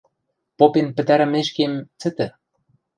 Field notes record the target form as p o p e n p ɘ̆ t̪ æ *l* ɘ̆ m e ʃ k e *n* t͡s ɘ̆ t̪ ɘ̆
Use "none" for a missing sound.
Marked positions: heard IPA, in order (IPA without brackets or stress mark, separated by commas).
ɾ, m